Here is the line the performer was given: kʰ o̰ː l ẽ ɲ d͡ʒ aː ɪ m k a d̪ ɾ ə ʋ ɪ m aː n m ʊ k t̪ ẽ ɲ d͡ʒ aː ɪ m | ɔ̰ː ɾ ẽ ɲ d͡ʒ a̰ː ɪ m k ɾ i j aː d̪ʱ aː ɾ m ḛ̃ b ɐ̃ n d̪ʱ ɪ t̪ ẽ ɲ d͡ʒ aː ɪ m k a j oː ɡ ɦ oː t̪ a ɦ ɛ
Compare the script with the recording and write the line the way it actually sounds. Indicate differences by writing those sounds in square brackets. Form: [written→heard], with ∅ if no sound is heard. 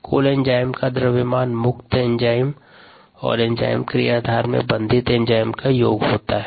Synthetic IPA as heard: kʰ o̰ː l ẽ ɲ d͡ʒ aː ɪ m k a d̪ ɾ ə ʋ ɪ m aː n m ʊ k t̪ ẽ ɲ d͡ʒ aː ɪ m | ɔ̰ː ɾ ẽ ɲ d͡ʒ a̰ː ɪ m k ɾ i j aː d̪ʱ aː ɾ m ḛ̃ b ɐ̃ n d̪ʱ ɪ t̪ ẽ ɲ d͡ʒ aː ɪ m k a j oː ɡ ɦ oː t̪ a ɦ ɛ